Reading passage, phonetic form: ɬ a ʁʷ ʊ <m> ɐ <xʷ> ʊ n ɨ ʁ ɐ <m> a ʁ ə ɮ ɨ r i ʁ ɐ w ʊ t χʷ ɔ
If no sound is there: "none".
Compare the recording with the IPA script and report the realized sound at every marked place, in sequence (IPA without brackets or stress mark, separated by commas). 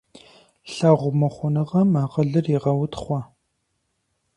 m, χʷ, m